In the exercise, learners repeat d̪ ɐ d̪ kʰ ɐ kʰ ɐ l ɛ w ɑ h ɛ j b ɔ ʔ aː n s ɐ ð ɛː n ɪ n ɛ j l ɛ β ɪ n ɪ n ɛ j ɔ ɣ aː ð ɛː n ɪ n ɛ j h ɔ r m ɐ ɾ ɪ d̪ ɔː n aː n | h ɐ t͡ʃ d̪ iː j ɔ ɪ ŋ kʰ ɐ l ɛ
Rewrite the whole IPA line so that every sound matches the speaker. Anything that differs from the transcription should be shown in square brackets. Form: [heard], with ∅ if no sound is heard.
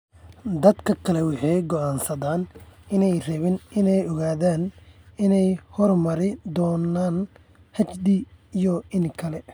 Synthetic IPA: d̪ ɐ d̪ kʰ ɐ kʰ ɐ l ɛ w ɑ [ħ] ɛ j [ɡ] ɔ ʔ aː n s ɐ ð [aː] n ɪ n ɛ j [r] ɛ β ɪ n ɪ n ɛ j ɔ ɣ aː ð [aː] n ɪ n ɛ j h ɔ r m ɐ ɾ ɪ d̪ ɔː n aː n | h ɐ t͡ʃ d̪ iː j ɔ ɪ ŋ kʰ ɐ l ɛ

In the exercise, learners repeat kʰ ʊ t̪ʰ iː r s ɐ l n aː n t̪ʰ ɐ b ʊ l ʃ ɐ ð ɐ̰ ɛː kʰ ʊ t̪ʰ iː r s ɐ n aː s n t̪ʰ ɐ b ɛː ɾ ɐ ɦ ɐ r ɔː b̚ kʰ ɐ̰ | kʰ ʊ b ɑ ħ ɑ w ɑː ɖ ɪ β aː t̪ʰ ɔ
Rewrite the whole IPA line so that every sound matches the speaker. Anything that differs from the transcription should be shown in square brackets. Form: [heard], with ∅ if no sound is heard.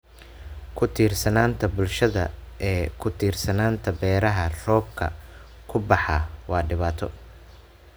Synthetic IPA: kʰ ʊ t̪ʰ iː r s ɐ [∅] n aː n t̪ʰ ɐ b ʊ l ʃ ɐ ð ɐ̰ ɛː kʰ ʊ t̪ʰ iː r s ɐ n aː [∅] n t̪ʰ ɐ b ɛː ɾ ɐ ɦ ɐ r ɔː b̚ kʰ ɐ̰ | kʰ ʊ b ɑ ħ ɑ w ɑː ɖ ɪ β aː t̪ʰ ɔ

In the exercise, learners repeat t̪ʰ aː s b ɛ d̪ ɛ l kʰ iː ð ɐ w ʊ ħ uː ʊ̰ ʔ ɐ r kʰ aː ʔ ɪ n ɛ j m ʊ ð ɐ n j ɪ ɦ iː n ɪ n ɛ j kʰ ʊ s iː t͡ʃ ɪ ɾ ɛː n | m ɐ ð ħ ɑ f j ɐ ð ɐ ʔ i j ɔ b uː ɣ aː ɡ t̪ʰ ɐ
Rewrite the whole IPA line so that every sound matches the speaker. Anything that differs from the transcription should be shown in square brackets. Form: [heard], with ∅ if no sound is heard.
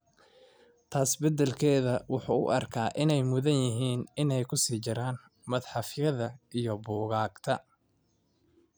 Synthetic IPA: t̪ʰ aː s b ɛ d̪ ɛ l kʰ [ɛː] ð ɐ w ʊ ħ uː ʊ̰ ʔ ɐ r kʰ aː ʔ ɪ n ɛ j m ʊ ð ɐ n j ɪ ɦ iː n ɪ n ɛ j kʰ ʊ s iː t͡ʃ ɪ ɾ [aː] n | m ɐ ð ħ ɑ f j ɐ ð ɐ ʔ i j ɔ b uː ɣ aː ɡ t̪ʰ ɐ

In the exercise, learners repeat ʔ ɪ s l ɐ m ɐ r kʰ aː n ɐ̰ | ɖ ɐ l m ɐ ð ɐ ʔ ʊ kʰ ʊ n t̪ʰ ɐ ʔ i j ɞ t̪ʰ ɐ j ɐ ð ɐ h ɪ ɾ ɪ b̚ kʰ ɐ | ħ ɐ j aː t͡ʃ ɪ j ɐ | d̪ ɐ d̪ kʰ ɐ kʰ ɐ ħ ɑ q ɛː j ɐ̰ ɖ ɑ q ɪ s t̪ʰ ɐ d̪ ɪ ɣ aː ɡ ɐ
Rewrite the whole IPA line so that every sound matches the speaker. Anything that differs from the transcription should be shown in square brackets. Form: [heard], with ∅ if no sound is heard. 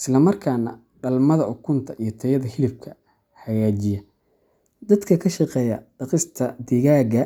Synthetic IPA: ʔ ɪ s l ɐ m ɐ r kʰ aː n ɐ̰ | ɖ ɐ l m ɐ ð ɐ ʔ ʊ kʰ ʊ n t̪ʰ ɐ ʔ i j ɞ t̪ʰ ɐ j ɐ ð ɐ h ɪ [l] ɪ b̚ kʰ ɐ | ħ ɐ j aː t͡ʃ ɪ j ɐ | d̪ ɐ d̪ kʰ ɐ kʰ ɐ [ʃ] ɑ q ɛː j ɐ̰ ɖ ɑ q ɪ s t̪ʰ ɐ d̪ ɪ ɣ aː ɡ ɐ

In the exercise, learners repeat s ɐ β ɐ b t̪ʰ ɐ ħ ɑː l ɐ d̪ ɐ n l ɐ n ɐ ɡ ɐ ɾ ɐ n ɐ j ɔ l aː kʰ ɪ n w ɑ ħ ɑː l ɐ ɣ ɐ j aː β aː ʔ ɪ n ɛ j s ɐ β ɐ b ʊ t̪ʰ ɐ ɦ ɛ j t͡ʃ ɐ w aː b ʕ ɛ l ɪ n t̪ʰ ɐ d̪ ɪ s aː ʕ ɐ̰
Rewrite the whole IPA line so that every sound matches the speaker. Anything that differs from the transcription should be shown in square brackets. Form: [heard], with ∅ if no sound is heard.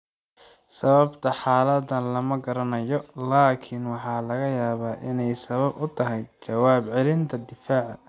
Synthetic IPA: s ɐ β ɐ b t̪ʰ ɐ ħ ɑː l ɐ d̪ ɐ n l ɐ [m] ɐ ɡ ɐ ɾ ɐ n ɐ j ɔ l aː kʰ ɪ n w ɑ ħ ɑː l ɐ ɣ ɐ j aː β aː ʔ ɪ n ɛ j s ɐ β ɐ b ʊ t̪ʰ ɐ ɦ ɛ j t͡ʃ ɐ w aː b ʕ ɛ l ɪ n t̪ʰ ɐ d̪ ɪ [f] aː ʕ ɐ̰

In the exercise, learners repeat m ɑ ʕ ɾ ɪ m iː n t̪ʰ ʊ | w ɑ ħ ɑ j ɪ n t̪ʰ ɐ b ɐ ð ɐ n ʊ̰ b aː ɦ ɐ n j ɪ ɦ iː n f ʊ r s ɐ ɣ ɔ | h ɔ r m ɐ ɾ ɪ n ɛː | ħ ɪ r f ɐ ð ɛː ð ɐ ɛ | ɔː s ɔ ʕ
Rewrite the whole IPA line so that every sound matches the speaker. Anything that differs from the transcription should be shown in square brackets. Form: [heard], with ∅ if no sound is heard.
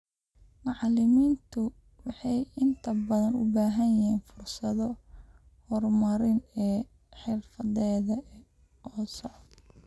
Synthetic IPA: m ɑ ʕ [l] ɪ m iː n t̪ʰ ʊ | w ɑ ħ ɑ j ɪ n t̪ʰ ɐ b ɐ ð ɐ n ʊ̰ b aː ɦ ɐ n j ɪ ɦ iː n f ʊ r s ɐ [ð] ɔ | h ɔ r m ɐ ɾ ɪ n ɛː | ħ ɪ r f ɐ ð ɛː ð ɐ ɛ | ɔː s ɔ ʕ

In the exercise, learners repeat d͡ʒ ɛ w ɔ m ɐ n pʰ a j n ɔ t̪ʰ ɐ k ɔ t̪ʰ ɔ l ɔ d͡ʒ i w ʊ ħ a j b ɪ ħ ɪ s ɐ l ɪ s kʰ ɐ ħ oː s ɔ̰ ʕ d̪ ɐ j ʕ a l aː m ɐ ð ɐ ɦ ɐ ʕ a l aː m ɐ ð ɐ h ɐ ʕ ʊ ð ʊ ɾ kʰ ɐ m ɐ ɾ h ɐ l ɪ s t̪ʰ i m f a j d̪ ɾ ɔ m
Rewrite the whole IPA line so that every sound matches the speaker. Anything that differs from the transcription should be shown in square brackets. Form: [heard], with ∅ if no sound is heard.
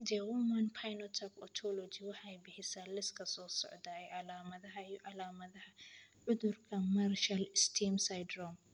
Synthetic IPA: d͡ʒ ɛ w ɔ m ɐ n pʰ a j n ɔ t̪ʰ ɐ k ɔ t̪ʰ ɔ l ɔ d͡ʒ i w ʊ ħ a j b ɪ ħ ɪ s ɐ l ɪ s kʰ ɐ [s] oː s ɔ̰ ʕ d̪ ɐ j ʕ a l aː m ɐ ð ɐ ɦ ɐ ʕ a l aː m ɐ ð ɐ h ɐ ʕ ʊ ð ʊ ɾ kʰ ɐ m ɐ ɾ [ʃ] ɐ l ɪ s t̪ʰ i m [s] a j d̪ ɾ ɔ m

